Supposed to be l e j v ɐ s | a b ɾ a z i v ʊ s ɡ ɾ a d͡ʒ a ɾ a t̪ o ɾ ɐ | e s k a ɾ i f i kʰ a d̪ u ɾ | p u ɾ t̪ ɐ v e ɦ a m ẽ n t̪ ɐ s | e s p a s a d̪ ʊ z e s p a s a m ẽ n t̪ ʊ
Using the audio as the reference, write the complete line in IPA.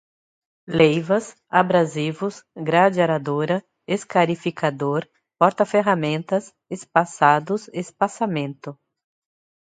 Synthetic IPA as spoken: l e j v ɐ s | a b ɾ a z i v ʊ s ɡ ɾ a d͡ʒ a ɾ a d̪ o ɾ ɐ | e s k a ɾ i f i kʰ a d̪ o ɾ | p ɔ ɾ t̪ ɐ f e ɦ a m ẽ n t̪ ɐ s | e s p a s a d̪ ʊ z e s p a s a m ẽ n t̪ ʊ